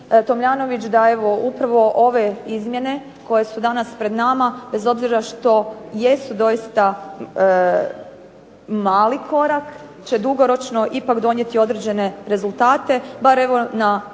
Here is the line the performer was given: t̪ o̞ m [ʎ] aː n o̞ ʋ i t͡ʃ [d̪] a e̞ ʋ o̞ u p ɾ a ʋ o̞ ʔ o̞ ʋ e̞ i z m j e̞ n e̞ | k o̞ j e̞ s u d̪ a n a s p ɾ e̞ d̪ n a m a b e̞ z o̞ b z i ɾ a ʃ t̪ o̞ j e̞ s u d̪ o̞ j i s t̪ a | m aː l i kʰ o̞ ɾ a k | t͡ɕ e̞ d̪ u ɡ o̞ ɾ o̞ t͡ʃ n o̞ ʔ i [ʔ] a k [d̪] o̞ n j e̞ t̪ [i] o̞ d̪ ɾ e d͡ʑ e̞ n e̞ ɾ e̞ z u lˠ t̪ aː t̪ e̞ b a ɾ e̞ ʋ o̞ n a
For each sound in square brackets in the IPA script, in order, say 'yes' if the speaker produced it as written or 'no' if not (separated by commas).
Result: yes, yes, no, yes, yes